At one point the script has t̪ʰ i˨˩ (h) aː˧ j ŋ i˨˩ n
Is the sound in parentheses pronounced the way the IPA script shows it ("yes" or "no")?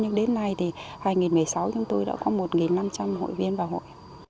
yes